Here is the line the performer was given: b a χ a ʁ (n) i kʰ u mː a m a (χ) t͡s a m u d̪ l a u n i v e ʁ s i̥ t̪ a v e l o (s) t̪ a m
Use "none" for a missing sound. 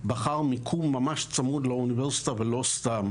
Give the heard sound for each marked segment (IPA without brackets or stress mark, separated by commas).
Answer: m, ʃ, s